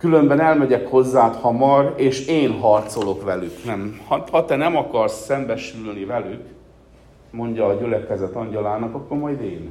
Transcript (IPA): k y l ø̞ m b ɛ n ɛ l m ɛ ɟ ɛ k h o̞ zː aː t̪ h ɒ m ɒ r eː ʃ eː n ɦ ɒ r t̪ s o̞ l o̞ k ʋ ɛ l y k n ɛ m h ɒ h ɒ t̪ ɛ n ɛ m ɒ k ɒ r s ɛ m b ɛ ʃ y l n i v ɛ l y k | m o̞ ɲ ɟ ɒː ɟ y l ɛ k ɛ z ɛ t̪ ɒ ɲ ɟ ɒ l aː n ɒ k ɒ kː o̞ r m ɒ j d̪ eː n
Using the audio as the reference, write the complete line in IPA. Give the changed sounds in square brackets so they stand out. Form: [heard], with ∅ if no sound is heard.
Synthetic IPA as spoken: k y l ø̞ m b ɛ n ɛ l m ɛ ɟ ɛ k h o̞ zː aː t̪ h ɒ m ɒ r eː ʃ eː n ɦ ɒ r t̪ s o̞ l o̞ k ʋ ɛ l y k n ɛ m h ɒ h ɒ t̪ ɛ n ɛ m ɒ k ɒ r s ɛ m b ɛ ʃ y l n i v ɛ l y k | m o̞ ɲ ɟ ɒː ɟ y l ɛ k ɛ z ɛ t̪ ɒ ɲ ɟ ɒ l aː n ɒ k ɒ kː o̞ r m ɒ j d̪ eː n